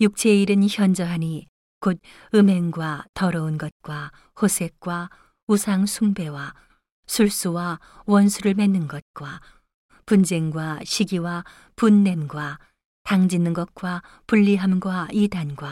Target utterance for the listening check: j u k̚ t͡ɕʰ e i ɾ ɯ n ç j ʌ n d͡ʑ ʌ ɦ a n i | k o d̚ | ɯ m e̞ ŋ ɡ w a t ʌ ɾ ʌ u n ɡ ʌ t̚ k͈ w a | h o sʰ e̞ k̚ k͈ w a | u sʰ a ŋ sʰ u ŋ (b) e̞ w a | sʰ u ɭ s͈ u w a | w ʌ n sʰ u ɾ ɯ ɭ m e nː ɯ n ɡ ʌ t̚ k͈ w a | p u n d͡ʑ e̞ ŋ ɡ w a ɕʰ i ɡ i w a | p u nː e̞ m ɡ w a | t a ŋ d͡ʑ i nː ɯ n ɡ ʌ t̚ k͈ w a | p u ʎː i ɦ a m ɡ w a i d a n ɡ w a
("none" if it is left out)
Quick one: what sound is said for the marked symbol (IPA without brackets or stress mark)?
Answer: b